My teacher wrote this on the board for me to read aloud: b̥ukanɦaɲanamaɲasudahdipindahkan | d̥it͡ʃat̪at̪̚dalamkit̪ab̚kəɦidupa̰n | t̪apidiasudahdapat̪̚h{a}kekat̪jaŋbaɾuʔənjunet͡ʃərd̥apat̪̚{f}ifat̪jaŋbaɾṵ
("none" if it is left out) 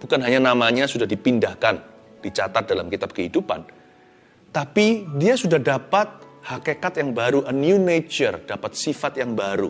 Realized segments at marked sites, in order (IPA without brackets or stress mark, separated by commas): a, s